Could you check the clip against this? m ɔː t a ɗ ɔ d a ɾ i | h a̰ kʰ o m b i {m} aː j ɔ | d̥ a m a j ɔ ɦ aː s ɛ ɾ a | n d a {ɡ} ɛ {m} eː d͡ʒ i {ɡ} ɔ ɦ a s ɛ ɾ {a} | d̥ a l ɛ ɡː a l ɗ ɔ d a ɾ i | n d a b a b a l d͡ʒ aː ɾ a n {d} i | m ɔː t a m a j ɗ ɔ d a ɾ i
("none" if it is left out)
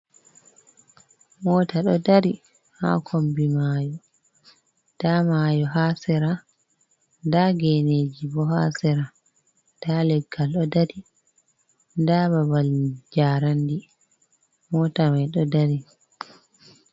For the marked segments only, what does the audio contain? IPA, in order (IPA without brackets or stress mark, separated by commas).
m, ɡ, n, b, a, d